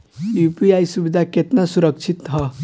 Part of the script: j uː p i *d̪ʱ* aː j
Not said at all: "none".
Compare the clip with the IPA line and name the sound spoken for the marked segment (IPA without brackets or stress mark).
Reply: none